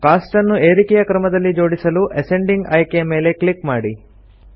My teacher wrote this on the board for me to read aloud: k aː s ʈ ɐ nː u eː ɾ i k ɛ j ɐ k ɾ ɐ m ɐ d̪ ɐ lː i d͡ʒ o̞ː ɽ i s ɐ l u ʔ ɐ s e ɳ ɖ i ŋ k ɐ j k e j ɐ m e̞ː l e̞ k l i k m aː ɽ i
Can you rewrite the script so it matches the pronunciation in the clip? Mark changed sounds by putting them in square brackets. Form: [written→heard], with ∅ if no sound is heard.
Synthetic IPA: k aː s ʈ ɐ nː u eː ɾ i k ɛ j ɐ k ɾ ɐ m ɐ d̪ ɐ lː i d͡ʒ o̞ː ɽ i s ɐ l u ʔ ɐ s e ɳ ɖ i ŋ [k→ɡ] ɐ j k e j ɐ m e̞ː l e̞ k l i k m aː ɽ i

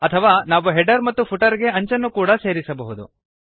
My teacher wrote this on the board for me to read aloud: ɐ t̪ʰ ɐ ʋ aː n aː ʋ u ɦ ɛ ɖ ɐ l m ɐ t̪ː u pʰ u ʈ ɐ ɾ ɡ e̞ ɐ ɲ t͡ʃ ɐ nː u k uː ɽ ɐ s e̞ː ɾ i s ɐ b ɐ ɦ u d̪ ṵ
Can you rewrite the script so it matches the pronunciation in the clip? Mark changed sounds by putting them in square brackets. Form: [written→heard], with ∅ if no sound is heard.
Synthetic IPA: ɐ t̪ʰ ɐ ʋ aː n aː ʋ u ɦ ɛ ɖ ɐ [l→ɾ] m ɐ t̪ː u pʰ u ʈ ɐ ɾ ɡ e̞ ɐ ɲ t͡ʃ ɐ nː u k uː ɽ ɐ s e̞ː ɾ i s ɐ b ɐ ɦ u d̪ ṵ

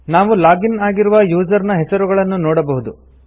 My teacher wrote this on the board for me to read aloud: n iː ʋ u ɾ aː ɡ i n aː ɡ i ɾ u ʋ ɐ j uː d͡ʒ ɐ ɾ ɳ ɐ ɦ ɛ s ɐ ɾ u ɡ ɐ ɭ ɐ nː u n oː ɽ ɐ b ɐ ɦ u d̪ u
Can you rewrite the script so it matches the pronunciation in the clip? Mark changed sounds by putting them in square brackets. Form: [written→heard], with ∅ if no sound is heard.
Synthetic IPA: n [iː→aː] ʋ u [ɾ→l] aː ɡ i n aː ɡ i ɾ u ʋ ɐ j uː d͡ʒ ɐ ɾ [ɳ→n] ɐ ɦ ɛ s ɐ ɾ u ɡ ɐ ɭ ɐ nː u n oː ɽ ɐ b ɐ ɦ u d̪ u

